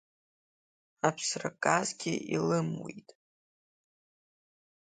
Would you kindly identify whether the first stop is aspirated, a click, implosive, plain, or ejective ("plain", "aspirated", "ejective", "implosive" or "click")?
aspirated